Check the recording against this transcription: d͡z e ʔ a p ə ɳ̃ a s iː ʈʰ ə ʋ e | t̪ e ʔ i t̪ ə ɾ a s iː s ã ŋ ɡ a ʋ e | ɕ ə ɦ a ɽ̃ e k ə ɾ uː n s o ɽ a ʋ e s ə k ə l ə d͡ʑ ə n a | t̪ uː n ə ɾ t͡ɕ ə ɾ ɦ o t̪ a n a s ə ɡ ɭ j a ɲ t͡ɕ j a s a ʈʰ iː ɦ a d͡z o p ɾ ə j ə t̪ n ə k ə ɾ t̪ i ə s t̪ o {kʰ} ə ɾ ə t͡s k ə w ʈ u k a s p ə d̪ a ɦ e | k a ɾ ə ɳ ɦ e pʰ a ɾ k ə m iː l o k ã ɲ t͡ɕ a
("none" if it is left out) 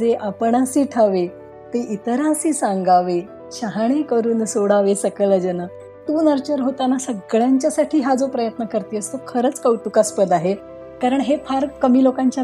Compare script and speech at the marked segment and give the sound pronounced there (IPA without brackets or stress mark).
kʰ